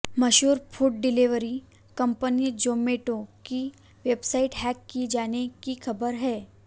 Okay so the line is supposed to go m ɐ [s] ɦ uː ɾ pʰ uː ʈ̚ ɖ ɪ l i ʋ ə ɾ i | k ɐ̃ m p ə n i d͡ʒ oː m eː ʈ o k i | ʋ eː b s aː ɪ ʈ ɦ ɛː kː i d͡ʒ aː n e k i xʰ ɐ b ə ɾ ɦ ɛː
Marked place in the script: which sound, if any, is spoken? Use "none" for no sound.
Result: ʃ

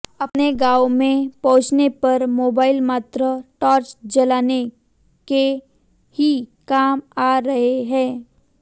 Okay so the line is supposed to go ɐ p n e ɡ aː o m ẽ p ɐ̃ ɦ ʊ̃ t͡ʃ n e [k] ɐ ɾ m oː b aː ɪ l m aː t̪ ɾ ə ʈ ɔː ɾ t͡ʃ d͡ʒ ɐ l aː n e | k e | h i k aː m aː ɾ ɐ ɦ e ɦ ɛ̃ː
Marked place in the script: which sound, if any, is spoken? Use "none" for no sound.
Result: p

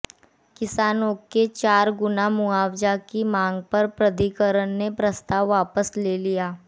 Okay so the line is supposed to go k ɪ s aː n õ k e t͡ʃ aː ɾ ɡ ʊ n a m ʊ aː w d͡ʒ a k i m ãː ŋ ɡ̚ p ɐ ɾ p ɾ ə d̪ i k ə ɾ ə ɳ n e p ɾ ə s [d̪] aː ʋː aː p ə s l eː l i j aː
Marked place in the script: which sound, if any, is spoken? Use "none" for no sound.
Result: t̪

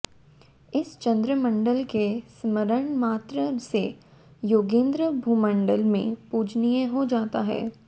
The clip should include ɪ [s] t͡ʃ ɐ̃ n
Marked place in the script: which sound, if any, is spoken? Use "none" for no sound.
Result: s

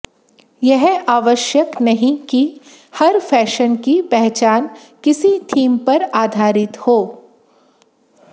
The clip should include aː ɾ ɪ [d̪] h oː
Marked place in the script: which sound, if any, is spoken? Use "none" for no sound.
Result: t̪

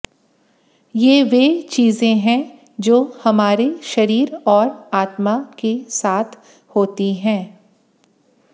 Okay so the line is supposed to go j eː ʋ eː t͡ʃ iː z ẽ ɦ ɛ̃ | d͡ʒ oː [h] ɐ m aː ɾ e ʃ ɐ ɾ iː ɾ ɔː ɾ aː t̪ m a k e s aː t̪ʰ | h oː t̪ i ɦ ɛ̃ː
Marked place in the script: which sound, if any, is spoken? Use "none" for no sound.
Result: h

